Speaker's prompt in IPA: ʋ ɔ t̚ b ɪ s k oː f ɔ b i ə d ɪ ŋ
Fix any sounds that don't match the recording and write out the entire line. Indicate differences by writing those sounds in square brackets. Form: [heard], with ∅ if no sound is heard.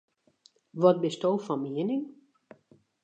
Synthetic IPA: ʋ ɔ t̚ b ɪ s [t] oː f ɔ [m] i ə [n] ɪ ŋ